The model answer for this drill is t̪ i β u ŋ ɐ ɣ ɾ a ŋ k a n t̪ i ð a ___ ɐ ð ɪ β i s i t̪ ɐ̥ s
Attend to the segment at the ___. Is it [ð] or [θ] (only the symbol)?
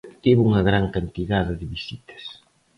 ð